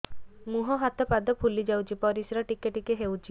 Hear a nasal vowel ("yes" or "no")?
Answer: no